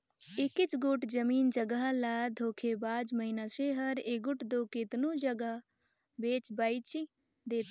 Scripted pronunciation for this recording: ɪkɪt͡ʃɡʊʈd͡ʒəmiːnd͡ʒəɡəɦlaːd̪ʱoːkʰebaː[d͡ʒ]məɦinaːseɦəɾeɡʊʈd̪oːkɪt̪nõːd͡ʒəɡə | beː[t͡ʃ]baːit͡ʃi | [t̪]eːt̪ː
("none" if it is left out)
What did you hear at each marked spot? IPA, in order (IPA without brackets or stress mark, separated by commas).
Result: d͡ʒ, t͡ʃ, d̪